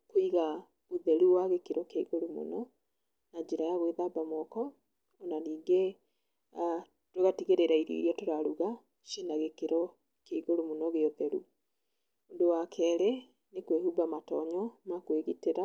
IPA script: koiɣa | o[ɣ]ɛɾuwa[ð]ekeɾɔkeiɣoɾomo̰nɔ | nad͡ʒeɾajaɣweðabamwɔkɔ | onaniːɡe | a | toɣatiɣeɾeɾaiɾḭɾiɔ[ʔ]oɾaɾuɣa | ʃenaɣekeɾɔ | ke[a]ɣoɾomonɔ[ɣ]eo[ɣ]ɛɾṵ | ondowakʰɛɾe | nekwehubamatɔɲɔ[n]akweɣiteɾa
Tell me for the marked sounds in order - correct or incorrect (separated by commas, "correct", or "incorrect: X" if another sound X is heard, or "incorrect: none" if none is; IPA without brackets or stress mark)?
incorrect: ð, incorrect: ɣ, incorrect: t, incorrect: i, correct, incorrect: ð, incorrect: m